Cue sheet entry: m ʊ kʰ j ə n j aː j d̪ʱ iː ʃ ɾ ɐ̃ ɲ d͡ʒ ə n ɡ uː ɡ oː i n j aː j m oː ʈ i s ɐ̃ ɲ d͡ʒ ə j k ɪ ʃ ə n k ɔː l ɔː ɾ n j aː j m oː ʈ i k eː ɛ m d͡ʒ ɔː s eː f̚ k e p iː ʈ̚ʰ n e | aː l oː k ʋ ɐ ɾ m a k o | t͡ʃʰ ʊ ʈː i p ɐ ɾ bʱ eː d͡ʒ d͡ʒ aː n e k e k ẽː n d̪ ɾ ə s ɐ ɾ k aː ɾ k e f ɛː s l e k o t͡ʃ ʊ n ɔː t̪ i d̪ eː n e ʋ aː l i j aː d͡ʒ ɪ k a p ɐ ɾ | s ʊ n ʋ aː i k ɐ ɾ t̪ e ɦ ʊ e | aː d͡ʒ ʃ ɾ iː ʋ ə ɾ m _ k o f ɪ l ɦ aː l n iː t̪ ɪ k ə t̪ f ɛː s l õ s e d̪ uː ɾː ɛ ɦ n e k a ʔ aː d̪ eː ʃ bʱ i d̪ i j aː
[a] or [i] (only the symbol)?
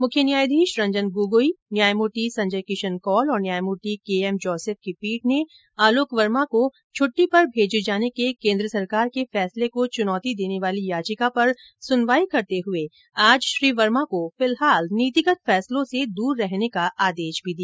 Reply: a